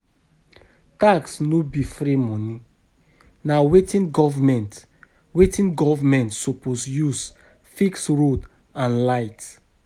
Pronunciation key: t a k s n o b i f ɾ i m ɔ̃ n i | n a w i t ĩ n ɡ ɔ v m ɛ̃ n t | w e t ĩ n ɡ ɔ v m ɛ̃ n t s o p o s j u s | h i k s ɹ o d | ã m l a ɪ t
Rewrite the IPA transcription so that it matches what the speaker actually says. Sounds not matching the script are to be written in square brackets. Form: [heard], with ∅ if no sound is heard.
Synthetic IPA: t a k s n o b i f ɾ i m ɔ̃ n i | n a w [e] t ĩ n ɡ ɔ v m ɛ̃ n t | w e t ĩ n ɡ ɔ v m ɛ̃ n t s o p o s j u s | [f] i k s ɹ o d | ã [n] l a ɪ t